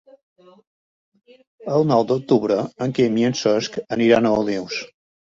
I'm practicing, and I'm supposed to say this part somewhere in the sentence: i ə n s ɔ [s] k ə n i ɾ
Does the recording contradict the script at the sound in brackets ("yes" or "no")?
no